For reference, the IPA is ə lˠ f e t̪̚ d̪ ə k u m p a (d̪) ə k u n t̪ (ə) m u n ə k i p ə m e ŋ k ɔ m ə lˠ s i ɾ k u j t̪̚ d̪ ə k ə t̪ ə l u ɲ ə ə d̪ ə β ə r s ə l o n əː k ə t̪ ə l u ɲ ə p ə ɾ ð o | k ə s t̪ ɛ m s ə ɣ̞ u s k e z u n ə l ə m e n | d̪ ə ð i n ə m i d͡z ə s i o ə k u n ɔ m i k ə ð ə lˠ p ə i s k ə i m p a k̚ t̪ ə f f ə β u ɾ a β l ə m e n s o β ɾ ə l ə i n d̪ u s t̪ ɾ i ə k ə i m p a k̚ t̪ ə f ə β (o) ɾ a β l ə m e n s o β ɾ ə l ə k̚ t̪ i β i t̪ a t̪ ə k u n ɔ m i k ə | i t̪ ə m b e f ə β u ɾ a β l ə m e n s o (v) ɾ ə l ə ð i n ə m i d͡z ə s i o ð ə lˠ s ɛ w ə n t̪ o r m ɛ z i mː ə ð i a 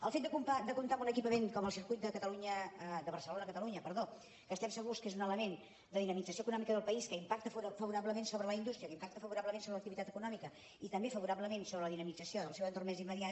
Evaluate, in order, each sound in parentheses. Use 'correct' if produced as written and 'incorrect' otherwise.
correct, incorrect, incorrect, incorrect

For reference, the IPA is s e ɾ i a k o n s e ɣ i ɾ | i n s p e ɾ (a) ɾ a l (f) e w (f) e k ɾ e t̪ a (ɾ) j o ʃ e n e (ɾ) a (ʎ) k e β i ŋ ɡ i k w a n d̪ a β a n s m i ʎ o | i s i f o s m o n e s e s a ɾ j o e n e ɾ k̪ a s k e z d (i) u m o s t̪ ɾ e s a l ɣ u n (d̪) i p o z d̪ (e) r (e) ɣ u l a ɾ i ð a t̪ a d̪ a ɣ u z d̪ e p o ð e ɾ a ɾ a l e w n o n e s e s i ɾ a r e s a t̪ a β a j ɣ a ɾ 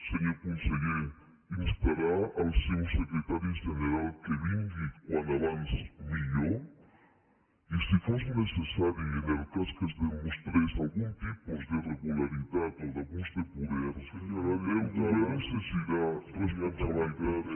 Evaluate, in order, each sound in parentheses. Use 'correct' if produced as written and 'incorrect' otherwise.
correct, incorrect, incorrect, correct, correct, incorrect, incorrect, incorrect, correct, correct

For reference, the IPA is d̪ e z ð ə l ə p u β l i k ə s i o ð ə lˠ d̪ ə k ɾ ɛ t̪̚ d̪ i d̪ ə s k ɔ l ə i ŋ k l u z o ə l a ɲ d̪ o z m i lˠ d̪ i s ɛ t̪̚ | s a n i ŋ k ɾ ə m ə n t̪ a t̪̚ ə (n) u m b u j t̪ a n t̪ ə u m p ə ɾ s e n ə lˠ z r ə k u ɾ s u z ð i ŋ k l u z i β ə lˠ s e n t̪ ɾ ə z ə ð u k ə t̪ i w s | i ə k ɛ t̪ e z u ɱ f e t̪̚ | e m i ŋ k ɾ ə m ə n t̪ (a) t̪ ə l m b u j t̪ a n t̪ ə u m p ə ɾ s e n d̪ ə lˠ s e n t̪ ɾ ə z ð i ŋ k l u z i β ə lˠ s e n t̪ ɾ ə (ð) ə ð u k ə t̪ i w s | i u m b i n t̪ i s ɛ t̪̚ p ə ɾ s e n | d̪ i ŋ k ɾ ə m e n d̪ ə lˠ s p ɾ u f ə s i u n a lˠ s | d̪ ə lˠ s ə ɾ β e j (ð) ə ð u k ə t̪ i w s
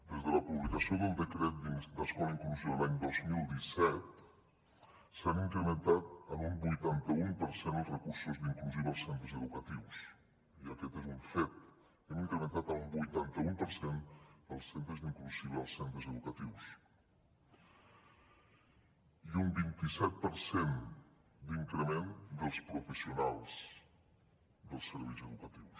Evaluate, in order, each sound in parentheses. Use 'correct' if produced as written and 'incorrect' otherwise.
incorrect, correct, incorrect, incorrect

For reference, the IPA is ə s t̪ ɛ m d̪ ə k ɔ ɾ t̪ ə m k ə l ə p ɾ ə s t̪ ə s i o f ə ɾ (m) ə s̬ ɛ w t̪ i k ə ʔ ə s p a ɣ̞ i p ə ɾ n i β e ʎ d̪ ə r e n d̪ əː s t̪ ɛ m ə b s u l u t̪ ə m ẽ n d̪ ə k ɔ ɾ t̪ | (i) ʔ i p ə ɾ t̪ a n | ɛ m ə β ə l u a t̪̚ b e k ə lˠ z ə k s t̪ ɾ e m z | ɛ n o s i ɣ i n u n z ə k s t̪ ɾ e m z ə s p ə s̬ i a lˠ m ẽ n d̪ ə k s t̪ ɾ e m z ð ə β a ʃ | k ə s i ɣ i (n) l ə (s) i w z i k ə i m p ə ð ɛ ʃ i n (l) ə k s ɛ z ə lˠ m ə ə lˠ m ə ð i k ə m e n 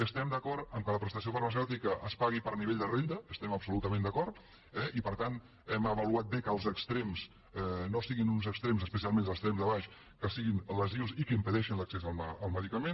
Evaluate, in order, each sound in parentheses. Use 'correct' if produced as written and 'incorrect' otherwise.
correct, incorrect, correct, incorrect, correct

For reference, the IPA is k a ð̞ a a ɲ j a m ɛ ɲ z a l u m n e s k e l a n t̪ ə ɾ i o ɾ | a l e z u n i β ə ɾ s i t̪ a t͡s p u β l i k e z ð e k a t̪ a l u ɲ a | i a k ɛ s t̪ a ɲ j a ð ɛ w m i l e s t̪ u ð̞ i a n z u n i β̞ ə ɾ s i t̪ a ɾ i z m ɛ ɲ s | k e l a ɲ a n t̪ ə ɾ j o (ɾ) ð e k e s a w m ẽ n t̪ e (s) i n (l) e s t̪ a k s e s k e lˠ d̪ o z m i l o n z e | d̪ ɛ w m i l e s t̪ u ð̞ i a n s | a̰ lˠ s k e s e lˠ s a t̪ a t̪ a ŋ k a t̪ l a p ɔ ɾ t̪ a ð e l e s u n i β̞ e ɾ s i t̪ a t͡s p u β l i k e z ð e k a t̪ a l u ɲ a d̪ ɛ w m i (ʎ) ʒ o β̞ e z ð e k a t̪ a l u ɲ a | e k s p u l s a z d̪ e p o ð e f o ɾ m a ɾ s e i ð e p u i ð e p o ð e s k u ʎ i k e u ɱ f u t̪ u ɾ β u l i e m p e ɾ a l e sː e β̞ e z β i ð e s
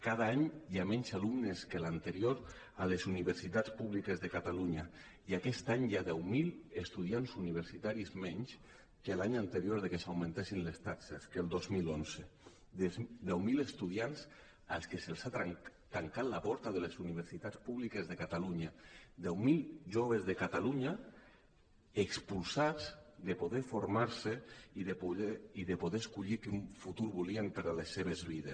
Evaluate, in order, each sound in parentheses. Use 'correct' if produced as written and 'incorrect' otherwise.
correct, correct, correct, incorrect

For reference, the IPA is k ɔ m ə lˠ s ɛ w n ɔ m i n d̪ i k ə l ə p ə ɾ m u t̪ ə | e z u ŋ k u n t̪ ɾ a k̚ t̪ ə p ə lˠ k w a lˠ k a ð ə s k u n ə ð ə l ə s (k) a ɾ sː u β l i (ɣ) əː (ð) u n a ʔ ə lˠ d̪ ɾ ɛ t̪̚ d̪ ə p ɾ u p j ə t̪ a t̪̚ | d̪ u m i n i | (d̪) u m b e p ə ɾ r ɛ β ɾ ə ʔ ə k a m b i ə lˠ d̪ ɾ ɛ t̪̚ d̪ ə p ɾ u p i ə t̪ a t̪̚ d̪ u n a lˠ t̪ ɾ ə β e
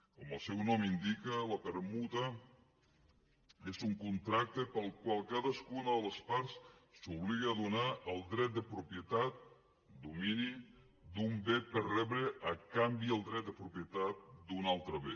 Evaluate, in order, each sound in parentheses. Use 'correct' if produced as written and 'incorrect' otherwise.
incorrect, correct, correct, correct

